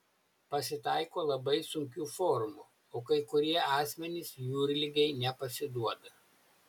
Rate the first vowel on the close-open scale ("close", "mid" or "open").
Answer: open